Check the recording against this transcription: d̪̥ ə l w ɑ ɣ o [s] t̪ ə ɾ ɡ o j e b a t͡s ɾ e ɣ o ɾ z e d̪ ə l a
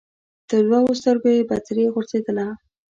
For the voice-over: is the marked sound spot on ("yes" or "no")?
yes